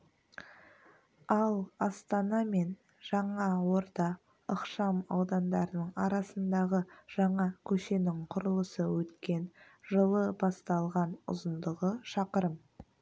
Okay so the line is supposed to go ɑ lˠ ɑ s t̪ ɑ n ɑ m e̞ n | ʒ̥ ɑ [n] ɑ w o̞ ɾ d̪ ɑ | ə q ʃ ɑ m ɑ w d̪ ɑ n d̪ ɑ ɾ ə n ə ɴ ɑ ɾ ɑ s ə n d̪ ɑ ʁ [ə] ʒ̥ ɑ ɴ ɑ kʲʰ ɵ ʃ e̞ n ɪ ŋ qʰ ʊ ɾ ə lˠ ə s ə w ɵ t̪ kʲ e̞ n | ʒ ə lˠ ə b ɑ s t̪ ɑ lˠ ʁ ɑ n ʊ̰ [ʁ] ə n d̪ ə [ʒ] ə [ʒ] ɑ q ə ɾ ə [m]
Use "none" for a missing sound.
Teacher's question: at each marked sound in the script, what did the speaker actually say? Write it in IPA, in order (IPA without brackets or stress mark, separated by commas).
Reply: ɴ, ə, z, ʁ, ʃ, m